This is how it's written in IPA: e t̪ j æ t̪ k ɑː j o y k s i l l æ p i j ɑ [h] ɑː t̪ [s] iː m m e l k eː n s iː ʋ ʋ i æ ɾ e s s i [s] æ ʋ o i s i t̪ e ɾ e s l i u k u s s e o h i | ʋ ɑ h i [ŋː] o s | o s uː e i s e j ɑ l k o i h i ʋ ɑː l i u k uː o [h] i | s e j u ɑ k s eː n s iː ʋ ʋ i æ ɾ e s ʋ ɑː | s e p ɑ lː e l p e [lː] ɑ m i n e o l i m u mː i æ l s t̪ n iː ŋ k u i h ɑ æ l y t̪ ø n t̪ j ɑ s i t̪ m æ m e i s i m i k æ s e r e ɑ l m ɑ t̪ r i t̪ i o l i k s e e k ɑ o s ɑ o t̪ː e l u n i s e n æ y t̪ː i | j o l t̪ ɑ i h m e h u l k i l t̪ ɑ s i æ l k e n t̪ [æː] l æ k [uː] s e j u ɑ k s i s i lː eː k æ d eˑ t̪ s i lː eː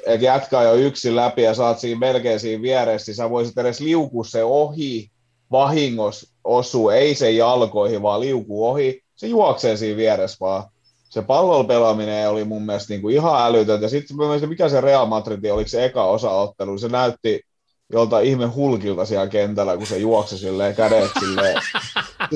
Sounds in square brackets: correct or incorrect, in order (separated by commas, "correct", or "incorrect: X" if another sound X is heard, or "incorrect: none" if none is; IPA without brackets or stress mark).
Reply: incorrect: s, correct, correct, correct, correct, incorrect: l, incorrect: æ, incorrect: u